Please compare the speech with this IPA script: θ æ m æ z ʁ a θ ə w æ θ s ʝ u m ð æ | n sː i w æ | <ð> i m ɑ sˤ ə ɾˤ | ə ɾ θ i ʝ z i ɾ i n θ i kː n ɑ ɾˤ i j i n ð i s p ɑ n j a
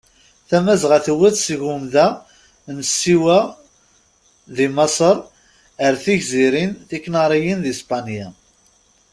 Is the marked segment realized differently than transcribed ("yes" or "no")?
no